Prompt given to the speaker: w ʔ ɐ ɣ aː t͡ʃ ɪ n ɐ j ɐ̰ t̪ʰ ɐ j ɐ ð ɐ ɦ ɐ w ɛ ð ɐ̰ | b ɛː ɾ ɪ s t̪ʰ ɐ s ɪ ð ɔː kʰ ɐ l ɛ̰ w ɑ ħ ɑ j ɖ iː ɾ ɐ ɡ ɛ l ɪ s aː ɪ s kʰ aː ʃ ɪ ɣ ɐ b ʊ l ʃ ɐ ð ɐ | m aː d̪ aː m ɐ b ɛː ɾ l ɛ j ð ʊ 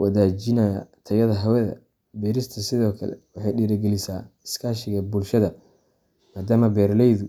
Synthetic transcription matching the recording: w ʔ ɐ ð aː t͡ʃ ɪ n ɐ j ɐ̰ t̪ʰ ɐ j ɐ ð ɐ ɦ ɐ w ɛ ð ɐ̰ | b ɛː ɾ ɪ s t̪ʰ ɐ s ɪ ð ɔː kʰ ɐ l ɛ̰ w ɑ ħ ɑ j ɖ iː ɾ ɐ ɡ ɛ l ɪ s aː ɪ s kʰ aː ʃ ɪ ɣ ɐ b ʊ l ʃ ɐ ð ɐ | m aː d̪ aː m ɐ b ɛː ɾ l ɛ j ð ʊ